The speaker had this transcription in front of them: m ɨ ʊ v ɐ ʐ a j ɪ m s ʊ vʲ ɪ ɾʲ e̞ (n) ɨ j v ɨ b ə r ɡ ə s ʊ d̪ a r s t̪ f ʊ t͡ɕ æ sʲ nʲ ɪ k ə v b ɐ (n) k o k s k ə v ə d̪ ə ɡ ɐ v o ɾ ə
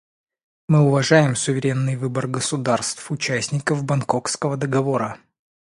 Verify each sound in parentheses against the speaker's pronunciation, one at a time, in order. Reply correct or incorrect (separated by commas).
incorrect, correct